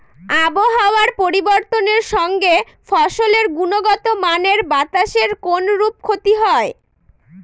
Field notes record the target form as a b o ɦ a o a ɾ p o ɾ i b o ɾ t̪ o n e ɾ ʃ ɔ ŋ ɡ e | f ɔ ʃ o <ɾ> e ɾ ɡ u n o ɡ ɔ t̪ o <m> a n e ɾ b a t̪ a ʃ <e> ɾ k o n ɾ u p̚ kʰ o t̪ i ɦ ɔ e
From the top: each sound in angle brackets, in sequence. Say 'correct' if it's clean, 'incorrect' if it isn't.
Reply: incorrect: l, correct, correct

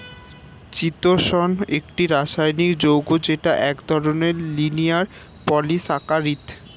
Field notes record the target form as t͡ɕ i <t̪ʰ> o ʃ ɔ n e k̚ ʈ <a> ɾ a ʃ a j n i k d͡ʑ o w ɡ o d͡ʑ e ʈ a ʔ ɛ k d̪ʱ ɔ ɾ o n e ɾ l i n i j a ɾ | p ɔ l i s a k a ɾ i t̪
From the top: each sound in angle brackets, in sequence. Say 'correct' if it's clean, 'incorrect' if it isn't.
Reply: incorrect: t̪, incorrect: i

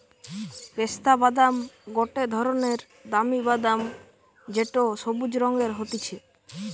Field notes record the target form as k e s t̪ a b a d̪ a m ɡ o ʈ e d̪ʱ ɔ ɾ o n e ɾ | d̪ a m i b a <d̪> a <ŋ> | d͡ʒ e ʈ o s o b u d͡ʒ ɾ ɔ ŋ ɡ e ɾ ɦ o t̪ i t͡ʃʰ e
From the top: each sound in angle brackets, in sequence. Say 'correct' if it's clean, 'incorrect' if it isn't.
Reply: correct, incorrect: m

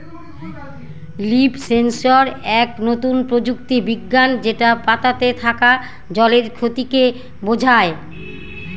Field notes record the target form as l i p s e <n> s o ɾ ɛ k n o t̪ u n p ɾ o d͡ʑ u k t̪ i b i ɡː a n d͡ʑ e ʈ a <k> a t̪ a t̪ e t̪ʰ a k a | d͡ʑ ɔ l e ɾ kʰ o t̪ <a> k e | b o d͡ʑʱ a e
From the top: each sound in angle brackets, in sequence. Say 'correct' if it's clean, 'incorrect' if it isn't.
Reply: correct, incorrect: p, incorrect: i

